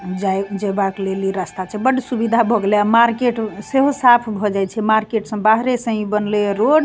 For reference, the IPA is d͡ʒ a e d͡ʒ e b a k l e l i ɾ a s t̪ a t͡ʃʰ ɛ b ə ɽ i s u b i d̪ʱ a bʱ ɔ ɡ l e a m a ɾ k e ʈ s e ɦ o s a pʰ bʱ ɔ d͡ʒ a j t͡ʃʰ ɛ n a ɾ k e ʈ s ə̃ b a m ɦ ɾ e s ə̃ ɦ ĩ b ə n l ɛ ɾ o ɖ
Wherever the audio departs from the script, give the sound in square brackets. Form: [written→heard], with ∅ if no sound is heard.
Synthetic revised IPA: d͡ʒ a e d͡ʒ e b a k l e l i ɾ a s t̪ a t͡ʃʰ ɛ b ə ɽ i s u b i d̪ʱ a bʱ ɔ ɡ l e a m a ɾ k e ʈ s e ɦ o s a pʰ bʱ ɔ d͡ʒ a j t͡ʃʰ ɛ [n→m] a ɾ k e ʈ s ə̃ b a [m→∅] ɦ ɾ e s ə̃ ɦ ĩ b ə n l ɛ ɾ o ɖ